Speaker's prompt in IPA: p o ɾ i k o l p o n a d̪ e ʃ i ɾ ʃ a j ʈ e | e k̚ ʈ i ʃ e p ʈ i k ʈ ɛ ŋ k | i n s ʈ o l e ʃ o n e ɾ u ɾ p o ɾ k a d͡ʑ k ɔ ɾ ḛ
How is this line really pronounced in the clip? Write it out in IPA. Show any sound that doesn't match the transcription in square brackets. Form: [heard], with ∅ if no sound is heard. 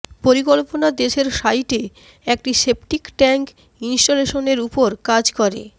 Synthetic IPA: p o ɾ i k o l p o n a d̪ e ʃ [e] ɾ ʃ a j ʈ e | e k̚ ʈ i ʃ e p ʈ i k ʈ ɛ ŋ k | i n s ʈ o l e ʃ o n e ɾ u [∅] p o ɾ k a d͡ʑ k ɔ ɾ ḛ